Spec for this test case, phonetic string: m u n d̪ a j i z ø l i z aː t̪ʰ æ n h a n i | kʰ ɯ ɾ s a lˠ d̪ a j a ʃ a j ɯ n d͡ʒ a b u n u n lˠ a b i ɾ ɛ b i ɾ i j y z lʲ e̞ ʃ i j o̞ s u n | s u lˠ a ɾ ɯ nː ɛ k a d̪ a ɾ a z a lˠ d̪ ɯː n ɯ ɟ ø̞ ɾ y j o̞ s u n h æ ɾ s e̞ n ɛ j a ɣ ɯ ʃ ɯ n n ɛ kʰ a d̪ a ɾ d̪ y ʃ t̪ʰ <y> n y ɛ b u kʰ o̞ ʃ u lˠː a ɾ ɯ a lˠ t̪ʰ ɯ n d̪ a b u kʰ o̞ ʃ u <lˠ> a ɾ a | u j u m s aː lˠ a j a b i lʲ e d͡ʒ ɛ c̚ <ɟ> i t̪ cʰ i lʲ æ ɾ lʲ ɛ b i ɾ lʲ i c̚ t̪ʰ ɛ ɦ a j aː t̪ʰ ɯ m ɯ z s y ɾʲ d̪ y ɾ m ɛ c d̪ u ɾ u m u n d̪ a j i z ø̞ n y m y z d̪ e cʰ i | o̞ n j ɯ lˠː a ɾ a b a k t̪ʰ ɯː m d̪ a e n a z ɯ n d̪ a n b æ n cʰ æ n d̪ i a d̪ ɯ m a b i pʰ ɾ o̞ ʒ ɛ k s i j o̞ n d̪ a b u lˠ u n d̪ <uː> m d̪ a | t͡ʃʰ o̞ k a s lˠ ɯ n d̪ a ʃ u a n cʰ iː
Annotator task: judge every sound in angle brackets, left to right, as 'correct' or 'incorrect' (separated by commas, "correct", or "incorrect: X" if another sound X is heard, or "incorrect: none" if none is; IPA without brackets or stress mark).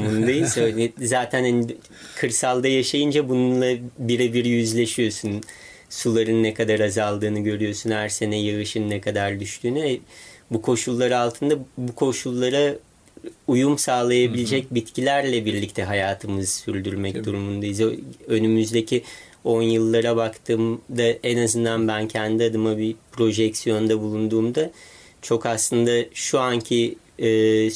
incorrect: yː, incorrect: lˠː, incorrect: b, correct